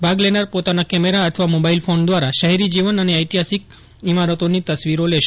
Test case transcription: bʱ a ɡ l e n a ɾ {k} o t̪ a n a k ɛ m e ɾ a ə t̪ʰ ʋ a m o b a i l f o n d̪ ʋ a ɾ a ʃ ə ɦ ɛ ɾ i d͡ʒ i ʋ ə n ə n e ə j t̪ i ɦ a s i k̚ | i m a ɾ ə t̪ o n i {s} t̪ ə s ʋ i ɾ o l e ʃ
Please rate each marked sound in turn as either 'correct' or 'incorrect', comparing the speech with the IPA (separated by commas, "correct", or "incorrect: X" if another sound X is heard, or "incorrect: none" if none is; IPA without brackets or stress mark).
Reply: incorrect: p, incorrect: none